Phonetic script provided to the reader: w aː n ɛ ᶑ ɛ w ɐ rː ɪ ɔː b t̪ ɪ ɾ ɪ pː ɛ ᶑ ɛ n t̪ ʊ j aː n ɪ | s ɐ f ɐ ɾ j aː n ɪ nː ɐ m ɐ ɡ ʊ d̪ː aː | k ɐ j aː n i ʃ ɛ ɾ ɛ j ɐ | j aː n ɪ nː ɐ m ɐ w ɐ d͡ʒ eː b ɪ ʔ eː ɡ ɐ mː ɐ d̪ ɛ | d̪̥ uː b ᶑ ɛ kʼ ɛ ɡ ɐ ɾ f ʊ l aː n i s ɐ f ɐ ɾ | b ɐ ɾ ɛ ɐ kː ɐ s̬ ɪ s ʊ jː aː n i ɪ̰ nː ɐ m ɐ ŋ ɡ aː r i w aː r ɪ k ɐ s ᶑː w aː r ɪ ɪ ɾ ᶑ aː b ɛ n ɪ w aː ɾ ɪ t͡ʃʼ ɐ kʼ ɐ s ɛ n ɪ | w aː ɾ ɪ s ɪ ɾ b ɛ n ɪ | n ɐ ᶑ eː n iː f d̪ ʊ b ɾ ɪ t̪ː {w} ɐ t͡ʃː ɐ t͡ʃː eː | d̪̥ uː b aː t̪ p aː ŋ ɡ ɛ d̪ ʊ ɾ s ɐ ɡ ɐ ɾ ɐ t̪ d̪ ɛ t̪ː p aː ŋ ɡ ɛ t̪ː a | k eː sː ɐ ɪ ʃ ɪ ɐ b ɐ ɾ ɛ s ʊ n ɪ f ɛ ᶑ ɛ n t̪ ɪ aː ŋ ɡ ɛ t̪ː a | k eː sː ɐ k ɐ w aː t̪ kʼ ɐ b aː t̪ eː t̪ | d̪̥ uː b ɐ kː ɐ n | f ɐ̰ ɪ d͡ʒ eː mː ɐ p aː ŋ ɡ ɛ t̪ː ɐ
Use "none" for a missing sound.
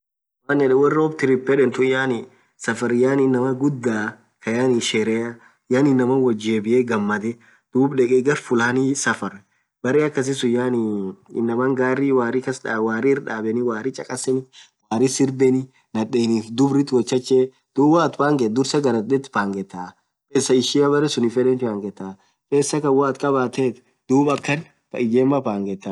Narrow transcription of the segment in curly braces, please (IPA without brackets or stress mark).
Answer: w